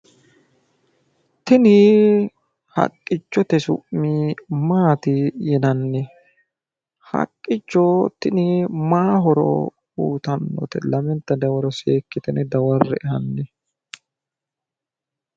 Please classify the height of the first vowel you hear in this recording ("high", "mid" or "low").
high